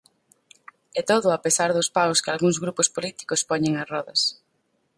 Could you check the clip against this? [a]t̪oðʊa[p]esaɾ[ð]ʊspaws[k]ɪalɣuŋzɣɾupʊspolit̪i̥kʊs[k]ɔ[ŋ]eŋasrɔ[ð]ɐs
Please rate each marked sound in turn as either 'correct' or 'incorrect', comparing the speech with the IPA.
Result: incorrect: ɛ, correct, correct, correct, incorrect: p, incorrect: ɲ, correct

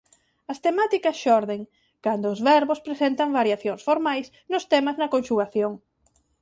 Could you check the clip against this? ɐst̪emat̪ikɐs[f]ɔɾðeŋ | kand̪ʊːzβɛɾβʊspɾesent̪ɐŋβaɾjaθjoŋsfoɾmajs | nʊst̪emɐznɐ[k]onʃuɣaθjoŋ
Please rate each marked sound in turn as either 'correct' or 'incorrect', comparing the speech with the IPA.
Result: incorrect: ʃ, correct

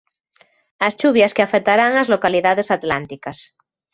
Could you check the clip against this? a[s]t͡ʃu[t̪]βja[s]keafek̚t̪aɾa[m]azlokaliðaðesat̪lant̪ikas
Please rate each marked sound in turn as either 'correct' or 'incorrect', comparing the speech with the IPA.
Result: correct, incorrect: none, correct, incorrect: ŋ

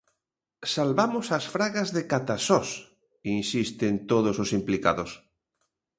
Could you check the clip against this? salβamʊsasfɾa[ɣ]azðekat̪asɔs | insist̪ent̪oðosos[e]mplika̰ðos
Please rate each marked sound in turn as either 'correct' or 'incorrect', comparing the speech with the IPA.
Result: correct, incorrect: i

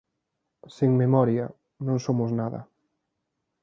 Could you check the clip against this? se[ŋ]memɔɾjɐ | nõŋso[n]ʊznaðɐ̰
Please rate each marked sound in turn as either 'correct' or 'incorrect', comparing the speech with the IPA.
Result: correct, incorrect: m

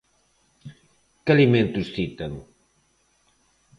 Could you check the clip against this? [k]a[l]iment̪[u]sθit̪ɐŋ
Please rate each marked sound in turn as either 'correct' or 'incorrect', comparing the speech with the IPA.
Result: correct, correct, correct

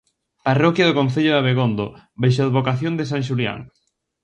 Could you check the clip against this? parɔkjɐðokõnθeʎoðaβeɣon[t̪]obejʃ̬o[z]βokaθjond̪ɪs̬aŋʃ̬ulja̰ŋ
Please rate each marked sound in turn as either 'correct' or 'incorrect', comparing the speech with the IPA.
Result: incorrect: d̪, incorrect: ð

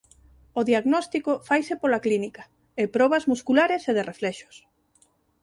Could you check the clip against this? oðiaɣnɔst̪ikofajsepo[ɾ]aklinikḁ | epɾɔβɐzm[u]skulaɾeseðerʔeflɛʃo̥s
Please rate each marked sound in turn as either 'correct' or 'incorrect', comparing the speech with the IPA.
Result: incorrect: l, correct

